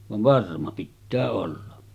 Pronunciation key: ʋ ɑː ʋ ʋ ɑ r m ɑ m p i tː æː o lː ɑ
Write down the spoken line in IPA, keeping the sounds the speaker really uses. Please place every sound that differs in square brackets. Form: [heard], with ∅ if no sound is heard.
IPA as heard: ʋ [ɑ] ʋ ʋ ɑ r m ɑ [∅] p i tː æː o lː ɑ